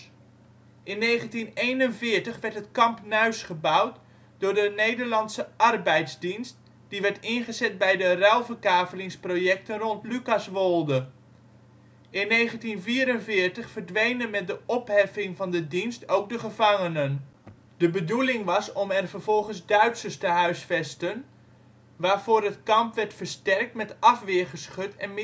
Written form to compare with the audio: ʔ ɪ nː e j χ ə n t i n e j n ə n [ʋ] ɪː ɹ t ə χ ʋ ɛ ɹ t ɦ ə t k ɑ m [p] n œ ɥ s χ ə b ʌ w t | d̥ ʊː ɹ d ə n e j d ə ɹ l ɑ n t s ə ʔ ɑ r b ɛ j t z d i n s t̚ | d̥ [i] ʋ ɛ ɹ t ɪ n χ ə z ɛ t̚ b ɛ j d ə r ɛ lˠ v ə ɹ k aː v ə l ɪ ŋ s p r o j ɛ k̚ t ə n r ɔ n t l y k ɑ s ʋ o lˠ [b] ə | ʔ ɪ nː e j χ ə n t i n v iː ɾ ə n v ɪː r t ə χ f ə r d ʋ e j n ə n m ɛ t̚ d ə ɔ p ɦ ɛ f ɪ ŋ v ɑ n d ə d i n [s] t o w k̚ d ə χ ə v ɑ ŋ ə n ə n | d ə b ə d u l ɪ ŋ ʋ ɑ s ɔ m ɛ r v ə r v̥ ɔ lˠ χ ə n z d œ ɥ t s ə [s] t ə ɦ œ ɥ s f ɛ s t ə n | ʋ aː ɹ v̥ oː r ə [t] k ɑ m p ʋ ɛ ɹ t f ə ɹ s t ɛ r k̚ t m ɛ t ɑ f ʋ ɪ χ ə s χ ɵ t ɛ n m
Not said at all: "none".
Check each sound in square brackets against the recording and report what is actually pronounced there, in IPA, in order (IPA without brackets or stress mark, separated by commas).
v, p, i, d, s, s, t